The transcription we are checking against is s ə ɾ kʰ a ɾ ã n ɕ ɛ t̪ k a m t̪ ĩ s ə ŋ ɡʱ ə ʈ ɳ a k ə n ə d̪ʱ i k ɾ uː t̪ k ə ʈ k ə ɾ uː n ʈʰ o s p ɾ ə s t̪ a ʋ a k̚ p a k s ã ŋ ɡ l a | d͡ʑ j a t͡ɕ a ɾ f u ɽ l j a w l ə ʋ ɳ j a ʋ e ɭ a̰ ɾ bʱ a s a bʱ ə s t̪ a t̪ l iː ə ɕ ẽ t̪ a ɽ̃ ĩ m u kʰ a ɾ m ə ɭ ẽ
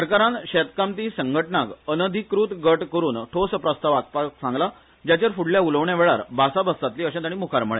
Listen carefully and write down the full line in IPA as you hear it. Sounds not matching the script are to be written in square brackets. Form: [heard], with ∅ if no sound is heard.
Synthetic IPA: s ə ɾ [k] a ɾ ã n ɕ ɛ t̪ k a m t̪ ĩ s ə ŋ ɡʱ ə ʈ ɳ a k ə n ə d̪ʱ i k ɾ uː t̪ [ɡ] ə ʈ k ə ɾ uː n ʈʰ o s p ɾ ə s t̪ a ʋ a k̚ p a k s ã ŋ ɡ l a | d͡ʑ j a t͡ɕ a ɾ f u ɽ l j a [u] l ə ʋ ɳ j a ʋ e ɭ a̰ ɾ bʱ a s a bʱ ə s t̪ a t̪ l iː ə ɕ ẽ t̪ a ɽ̃ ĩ m u kʰ a ɾ m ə ɭ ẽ

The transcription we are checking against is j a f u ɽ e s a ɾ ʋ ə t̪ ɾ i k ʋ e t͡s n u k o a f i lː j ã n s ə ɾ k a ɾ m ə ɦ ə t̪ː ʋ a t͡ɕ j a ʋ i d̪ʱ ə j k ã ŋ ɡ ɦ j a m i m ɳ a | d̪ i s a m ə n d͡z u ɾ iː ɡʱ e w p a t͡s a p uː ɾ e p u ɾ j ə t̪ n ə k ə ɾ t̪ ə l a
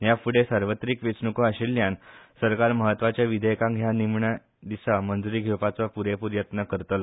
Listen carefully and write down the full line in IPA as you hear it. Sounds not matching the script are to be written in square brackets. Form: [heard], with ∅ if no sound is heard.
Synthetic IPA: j a f u ɽ e s a ɾ ʋ ə t̪ ɾ i k ʋ e t͡s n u k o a [ɕ] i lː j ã n s ə ɾ k a ɾ m ə ɦ ə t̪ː ʋ a t͡ɕ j a ʋ i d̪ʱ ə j k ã ŋ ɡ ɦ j a [n] i m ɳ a | d̪ i s a m ə n d͡z u ɾ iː ɡʱ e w p a t͡s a p [u] ɾ e p u ɾ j ə t̪ n ə k ə ɾ t̪ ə l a

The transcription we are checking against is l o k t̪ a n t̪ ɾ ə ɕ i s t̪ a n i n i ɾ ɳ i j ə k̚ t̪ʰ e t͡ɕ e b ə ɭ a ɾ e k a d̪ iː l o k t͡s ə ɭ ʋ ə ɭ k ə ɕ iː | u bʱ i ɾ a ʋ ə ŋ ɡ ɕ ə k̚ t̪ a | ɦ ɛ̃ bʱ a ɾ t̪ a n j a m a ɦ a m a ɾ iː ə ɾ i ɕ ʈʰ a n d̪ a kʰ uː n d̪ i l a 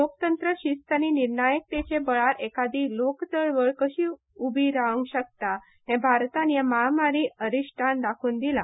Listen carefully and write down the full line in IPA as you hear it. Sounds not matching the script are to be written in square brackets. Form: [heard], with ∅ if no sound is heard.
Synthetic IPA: l o k t̪ [ə] n t̪ ɾ ə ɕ i s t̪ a n i n i ɾ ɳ [a] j ə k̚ [t̪] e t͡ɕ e b ə ɭ a ɾ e k a d̪ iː l o k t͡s ə ɭ ʋ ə ɭ k ə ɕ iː | u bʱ i ɾ a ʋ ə ŋ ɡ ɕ ə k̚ t̪ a | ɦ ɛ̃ bʱ a ɾ t̪ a n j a m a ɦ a m a ɾ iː ə ɾ i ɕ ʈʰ a n d̪ a kʰ uː n d̪ i l a

